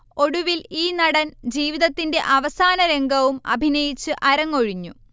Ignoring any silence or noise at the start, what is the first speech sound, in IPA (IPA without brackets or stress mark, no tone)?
o̞